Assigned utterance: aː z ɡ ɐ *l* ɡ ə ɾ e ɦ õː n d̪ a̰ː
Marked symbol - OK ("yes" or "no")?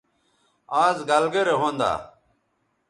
yes